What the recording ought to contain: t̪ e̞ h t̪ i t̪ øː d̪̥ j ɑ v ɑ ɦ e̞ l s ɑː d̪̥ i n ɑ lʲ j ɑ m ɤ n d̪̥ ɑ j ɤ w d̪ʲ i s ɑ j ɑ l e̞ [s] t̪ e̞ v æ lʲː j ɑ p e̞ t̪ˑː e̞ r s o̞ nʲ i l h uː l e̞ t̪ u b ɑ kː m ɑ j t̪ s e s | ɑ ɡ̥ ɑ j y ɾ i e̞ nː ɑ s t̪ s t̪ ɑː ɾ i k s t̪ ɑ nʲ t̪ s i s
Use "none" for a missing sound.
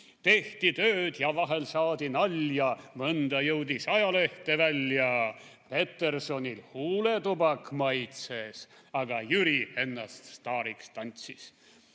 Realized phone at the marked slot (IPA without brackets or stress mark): h